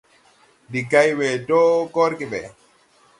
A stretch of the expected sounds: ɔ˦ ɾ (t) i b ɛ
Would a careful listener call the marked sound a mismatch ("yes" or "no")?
yes